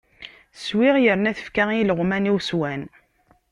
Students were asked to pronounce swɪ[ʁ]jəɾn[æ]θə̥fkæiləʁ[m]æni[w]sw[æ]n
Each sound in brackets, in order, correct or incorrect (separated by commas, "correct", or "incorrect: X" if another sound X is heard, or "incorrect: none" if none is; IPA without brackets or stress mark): correct, correct, correct, correct, correct